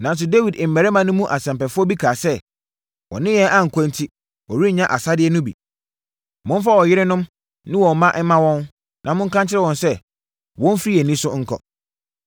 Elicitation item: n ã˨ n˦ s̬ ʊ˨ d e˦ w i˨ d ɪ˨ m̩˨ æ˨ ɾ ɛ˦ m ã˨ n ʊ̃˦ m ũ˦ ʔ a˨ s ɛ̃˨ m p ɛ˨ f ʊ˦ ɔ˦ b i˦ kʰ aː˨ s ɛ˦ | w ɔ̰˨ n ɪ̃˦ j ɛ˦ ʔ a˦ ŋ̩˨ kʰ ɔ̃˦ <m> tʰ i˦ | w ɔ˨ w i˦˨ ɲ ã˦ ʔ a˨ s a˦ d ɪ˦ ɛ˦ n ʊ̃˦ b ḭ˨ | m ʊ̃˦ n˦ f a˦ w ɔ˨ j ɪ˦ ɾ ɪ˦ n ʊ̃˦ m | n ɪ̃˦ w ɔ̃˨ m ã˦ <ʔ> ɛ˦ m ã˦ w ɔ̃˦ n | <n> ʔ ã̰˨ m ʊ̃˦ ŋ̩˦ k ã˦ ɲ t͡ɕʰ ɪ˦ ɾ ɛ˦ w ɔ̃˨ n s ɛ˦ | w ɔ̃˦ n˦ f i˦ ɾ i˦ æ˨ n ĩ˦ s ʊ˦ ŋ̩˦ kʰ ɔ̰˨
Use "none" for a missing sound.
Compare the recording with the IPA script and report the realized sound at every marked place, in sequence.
n, ʔ, n

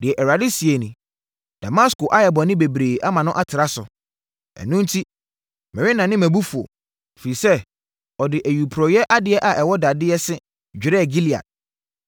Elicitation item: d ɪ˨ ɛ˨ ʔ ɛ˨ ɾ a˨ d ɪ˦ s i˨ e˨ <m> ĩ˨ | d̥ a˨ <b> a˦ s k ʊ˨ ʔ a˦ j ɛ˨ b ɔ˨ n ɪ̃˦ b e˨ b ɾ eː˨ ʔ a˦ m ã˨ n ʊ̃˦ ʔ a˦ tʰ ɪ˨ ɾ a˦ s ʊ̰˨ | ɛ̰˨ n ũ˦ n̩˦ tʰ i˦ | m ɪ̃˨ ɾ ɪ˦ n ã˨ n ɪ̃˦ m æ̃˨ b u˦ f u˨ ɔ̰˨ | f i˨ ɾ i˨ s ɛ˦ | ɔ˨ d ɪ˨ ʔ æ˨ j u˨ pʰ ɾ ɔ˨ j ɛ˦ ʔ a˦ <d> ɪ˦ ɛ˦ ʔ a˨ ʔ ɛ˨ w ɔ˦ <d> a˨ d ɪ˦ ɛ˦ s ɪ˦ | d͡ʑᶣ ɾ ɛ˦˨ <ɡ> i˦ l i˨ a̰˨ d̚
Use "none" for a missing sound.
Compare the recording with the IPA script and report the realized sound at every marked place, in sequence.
n, m, d, d, ɡ

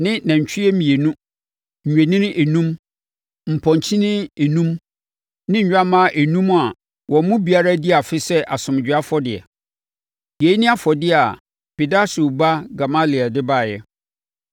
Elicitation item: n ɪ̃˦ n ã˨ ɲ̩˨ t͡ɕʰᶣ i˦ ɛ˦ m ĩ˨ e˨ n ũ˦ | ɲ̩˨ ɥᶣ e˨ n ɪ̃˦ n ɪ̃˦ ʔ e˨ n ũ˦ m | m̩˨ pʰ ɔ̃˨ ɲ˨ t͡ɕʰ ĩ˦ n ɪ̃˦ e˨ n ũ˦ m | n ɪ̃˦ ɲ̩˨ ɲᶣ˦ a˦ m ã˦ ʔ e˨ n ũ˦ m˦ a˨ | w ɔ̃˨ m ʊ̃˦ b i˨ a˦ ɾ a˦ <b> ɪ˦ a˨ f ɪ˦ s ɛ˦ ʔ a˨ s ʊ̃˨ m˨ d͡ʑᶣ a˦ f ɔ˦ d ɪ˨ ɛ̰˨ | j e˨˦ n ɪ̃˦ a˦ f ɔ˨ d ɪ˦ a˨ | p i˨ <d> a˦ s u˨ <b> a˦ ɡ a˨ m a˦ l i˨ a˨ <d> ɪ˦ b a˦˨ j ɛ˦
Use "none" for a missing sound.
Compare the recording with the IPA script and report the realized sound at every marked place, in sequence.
d, d, b, d

